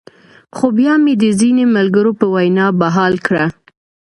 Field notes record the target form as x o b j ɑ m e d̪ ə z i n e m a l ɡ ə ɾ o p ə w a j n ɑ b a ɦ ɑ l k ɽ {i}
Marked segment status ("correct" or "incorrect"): incorrect